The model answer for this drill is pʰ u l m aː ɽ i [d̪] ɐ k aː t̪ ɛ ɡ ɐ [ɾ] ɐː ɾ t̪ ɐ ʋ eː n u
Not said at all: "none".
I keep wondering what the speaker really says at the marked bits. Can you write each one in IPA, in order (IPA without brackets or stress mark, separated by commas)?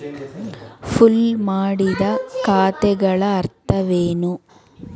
d̪, ɭ